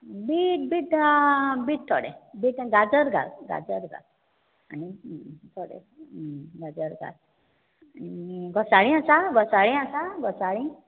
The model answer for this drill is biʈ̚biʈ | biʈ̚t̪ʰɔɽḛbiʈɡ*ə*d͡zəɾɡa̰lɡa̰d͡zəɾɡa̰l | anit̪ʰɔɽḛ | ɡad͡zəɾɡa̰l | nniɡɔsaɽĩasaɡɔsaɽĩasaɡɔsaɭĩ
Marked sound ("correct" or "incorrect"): incorrect